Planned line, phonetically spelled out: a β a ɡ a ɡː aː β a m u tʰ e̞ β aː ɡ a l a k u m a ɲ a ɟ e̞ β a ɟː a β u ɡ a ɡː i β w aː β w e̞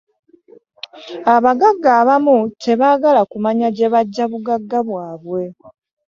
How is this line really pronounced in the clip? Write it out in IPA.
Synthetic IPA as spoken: a β a ɡ a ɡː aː β a m u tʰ e̞ β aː ɡ a l a k u m a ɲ a ɟ e̞ β a ɟː a β u ɡ a ɡː a β w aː β w e̞